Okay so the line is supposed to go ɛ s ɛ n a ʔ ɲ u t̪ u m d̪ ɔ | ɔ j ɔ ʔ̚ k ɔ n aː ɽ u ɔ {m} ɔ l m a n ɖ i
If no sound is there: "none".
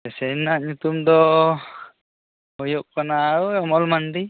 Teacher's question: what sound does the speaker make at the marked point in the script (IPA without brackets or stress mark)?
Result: m